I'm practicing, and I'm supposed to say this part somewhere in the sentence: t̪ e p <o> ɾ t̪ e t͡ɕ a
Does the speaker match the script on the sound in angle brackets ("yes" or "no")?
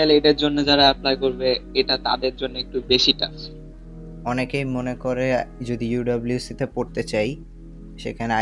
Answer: yes